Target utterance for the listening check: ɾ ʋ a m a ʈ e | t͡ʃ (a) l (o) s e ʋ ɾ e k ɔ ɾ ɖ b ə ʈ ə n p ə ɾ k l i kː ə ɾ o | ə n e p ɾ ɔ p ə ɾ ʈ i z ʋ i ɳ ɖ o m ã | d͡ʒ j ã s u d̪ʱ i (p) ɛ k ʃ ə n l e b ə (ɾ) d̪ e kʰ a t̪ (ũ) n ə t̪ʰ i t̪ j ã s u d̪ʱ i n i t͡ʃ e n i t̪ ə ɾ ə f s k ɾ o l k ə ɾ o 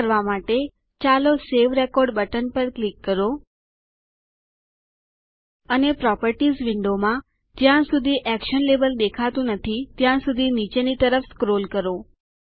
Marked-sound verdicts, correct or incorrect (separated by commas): correct, correct, incorrect, incorrect, correct